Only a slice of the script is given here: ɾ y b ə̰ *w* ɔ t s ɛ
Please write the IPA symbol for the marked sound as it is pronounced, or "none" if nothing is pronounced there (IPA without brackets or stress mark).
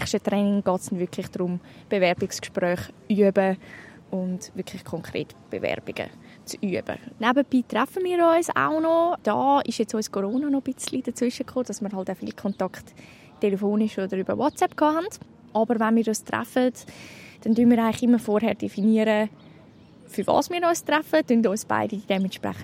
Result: w